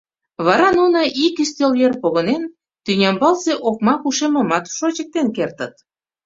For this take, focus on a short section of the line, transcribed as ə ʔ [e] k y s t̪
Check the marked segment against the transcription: incorrect: i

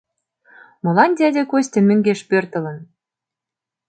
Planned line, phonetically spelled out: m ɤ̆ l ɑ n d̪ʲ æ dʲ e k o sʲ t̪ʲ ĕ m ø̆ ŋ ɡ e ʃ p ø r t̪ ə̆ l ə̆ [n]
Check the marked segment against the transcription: correct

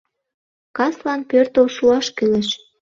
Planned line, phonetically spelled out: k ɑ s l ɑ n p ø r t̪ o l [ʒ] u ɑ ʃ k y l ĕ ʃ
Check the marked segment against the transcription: incorrect: ʃ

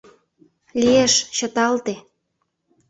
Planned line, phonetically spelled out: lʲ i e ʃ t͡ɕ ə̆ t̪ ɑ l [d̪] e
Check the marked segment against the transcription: incorrect: t̪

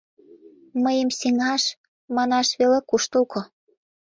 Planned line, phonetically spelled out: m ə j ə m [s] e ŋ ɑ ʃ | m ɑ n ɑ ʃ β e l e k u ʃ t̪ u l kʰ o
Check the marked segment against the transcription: correct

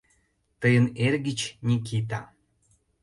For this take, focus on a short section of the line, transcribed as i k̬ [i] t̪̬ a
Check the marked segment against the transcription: correct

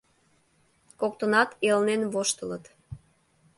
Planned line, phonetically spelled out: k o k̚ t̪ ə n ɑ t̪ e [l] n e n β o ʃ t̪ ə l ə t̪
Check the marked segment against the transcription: correct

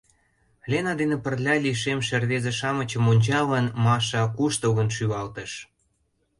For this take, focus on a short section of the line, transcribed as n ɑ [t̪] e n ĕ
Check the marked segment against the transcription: incorrect: d̪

